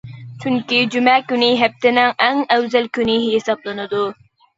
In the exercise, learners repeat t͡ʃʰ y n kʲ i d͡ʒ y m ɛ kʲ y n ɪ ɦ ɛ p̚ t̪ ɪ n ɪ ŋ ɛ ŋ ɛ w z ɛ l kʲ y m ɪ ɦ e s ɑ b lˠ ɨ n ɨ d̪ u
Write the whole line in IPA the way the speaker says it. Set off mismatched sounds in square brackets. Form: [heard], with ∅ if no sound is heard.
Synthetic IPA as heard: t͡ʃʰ y [ŋ] kʲ i d͡ʒ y m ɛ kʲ y n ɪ ɦ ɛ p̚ t̪ ɪ n ɪ ŋ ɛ ŋ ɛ w z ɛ l kʲ y [n] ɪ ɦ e s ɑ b lˠ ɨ n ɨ d̪ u